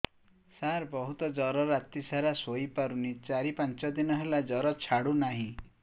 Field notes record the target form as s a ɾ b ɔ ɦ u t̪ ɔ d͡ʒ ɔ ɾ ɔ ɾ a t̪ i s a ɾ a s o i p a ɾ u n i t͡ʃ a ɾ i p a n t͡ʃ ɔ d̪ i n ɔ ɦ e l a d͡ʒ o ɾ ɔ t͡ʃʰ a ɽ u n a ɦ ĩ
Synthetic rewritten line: s a ɾ b ɔ ɦ u t̪ ɔ d͡ʒ ɔ ɾ ɔ ɾ a t̪ i s a ɾ a s o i p a ɾ u n i t͡ʃ a ɾ i p a n t͡ʃ ɔ d̪ i n ɔ ɦ e l a d͡ʒ ɔ ɾ ɔ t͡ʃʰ a ɽ u n a ɦ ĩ